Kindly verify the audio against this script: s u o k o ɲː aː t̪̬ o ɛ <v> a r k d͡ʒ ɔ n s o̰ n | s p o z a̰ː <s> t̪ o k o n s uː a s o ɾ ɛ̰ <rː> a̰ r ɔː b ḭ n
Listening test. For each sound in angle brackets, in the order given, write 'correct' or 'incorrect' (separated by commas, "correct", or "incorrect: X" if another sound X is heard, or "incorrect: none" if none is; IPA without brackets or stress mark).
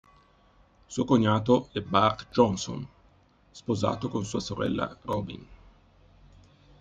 incorrect: b, incorrect: none, incorrect: lː